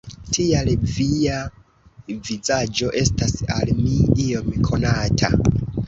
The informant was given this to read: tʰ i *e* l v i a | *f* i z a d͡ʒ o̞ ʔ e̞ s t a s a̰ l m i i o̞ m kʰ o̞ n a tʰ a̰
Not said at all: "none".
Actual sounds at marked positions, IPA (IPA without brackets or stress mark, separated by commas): a, v